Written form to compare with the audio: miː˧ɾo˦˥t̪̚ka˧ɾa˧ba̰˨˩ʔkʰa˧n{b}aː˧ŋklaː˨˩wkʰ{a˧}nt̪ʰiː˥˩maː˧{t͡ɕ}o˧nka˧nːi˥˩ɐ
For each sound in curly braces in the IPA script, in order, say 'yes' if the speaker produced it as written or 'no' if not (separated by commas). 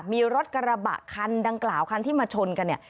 no, yes, no